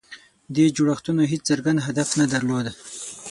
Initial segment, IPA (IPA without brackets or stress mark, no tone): d̪